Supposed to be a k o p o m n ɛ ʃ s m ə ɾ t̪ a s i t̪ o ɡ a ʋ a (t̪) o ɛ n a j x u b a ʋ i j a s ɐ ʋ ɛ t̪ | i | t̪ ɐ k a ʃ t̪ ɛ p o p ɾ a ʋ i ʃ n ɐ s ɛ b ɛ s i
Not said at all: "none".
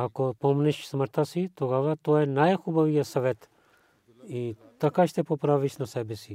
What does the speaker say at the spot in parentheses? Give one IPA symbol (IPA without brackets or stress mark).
t̪